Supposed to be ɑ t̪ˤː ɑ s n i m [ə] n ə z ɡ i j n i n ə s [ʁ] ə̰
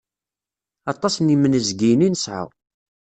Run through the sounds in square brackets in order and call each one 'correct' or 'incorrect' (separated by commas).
correct, incorrect